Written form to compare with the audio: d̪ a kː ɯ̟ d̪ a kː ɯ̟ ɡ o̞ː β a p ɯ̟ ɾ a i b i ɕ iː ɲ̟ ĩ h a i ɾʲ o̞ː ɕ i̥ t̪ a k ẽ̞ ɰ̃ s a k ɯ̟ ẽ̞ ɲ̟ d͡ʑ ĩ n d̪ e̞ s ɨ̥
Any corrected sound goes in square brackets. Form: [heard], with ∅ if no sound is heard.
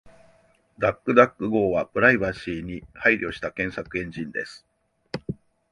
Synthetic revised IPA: d̪ a kː ɯ̟ d̪ a kː ɯ̟ ɡ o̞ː β a p ɯ̟ ɾ a i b [a] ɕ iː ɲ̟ [i] h a i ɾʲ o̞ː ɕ i̥ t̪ a k ẽ̞ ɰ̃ s a k ɯ̟ ẽ̞ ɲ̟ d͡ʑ ĩ n d̪ e̞ s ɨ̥